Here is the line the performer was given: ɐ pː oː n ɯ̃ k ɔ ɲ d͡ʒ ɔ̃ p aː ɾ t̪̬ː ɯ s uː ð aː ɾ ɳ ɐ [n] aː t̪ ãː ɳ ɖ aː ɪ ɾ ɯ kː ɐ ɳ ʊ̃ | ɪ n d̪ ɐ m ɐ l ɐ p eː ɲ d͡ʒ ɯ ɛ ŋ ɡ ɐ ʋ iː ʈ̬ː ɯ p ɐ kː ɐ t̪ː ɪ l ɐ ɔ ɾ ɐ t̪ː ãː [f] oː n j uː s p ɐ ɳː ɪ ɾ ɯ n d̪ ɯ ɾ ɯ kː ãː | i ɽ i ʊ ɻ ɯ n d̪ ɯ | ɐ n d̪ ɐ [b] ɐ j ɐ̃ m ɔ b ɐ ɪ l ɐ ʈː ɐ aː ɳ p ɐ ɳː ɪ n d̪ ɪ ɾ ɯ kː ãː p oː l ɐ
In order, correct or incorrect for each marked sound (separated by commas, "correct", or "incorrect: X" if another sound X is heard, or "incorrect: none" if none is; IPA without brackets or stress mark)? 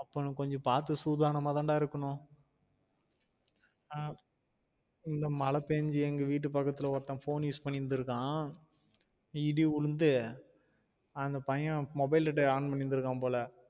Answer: incorrect: m, correct, incorrect: p